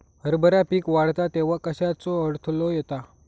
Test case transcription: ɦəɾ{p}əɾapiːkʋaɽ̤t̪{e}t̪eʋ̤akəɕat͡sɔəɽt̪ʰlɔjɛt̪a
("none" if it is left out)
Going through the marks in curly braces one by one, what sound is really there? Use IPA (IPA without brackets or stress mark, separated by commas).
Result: b, a